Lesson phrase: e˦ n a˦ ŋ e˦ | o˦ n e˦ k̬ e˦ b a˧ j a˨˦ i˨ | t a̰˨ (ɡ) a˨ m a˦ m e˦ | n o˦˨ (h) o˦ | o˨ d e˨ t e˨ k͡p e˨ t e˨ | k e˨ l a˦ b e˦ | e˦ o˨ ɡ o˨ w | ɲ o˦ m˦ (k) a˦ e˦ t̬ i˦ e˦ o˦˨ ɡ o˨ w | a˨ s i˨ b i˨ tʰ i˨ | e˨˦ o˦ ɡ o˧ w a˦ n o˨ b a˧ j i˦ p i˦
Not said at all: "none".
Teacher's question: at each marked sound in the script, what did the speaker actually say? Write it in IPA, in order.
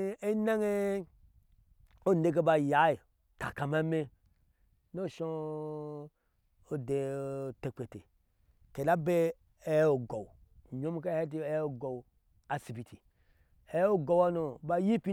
k, ʃ, k

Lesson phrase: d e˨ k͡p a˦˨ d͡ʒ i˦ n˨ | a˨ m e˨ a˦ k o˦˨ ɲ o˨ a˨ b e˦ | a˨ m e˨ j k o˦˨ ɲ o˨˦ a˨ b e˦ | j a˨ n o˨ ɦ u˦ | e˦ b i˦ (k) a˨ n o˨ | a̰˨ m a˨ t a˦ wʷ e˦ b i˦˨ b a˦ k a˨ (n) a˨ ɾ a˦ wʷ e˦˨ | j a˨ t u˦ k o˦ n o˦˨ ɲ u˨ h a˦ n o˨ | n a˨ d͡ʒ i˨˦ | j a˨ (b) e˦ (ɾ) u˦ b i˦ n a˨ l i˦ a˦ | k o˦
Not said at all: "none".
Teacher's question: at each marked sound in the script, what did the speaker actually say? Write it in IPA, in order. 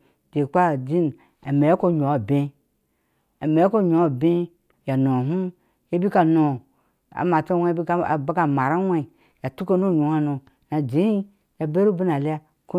k, m, b, ɾ

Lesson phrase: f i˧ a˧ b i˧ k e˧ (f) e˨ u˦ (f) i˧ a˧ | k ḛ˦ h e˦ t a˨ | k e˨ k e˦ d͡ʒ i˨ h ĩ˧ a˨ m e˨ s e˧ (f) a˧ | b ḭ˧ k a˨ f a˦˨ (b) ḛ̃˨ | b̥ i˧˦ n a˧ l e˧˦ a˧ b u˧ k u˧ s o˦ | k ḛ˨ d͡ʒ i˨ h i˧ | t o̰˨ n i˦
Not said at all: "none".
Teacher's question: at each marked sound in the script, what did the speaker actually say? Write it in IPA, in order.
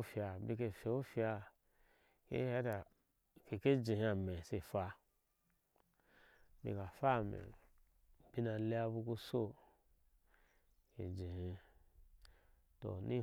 f, f, f, m

